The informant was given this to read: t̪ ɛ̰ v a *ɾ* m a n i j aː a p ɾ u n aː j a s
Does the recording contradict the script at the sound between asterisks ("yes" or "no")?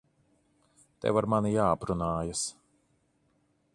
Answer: no